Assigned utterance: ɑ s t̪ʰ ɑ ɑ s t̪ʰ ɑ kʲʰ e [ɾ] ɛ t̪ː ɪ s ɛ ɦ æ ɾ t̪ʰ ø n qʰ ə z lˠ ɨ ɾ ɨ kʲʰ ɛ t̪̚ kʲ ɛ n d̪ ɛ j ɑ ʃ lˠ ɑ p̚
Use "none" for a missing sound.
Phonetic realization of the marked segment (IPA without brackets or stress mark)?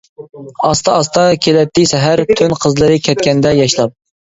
l